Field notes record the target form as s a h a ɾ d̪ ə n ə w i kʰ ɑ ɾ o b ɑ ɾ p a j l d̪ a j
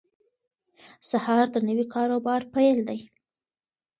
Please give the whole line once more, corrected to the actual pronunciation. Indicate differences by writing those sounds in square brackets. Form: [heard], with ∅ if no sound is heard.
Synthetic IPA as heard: s a h [ɑ] ɾ d̪ ə n ə w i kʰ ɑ ɾ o b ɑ ɾ p a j l d̪ a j